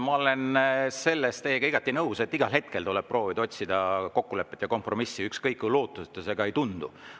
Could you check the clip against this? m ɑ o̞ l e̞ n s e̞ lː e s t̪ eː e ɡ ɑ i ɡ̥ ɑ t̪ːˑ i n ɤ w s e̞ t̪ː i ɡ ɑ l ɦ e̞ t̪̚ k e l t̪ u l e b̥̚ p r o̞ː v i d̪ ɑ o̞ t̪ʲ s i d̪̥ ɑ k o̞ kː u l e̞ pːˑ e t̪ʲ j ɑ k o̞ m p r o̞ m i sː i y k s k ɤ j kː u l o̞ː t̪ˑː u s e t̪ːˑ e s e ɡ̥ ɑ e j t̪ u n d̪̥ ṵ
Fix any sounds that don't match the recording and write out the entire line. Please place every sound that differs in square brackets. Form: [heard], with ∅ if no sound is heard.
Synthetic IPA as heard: m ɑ o̞ l e̞ n s e̞ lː e s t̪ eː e ɡ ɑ i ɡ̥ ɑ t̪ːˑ i n ɤ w s e̞ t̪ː i ɡ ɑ l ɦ e̞ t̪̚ k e l t̪ u l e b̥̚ p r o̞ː v i d̪ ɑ o̞ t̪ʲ s i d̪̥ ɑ k o̞ kː u l e̞ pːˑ e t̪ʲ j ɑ k o̞ m p r o̞ m i sː i y k s k ɤ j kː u l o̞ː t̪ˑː u s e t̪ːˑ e s e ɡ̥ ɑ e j t̪ u n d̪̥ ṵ